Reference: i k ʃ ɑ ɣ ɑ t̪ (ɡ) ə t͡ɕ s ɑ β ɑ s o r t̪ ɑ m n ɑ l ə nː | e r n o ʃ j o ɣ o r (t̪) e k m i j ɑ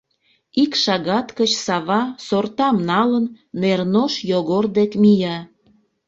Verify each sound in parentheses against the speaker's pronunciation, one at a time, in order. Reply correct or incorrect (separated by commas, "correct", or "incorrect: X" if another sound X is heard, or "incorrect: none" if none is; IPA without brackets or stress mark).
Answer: incorrect: k, incorrect: d̪